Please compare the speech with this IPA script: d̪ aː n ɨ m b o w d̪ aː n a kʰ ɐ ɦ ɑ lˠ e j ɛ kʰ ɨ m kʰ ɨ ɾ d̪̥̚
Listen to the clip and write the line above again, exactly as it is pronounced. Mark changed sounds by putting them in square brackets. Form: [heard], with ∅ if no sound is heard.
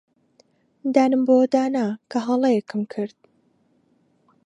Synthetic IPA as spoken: d̪ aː n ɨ m b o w d̪ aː n a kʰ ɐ ɦ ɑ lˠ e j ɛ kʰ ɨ m kʰ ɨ ɾ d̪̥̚